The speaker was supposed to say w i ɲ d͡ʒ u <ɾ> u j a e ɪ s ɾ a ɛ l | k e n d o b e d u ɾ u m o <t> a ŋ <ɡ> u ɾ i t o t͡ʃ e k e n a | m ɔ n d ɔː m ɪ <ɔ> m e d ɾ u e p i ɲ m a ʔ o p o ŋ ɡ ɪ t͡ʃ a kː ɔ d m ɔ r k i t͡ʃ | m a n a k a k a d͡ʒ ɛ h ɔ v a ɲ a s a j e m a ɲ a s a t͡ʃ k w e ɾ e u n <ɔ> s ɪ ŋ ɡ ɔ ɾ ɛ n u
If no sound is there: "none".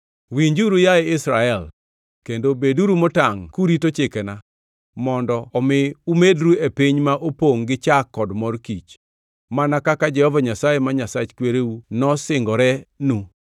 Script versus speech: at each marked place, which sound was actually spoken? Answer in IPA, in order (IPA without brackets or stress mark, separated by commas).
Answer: ɾ, t, k, u, ɔ